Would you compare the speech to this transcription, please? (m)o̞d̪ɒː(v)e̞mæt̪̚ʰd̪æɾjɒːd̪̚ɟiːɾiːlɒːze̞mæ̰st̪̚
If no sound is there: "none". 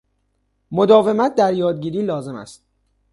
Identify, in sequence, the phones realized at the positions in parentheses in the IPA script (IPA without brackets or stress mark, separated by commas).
m, v